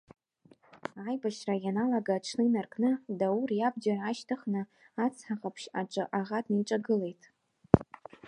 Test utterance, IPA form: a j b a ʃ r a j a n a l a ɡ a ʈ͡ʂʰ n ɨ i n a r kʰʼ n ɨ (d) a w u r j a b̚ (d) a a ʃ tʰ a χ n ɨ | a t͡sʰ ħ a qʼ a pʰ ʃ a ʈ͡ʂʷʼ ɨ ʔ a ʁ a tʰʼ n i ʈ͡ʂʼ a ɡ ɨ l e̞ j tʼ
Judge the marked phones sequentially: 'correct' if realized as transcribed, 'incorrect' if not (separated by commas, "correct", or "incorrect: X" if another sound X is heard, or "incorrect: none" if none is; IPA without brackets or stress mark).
correct, incorrect: d͡ʒ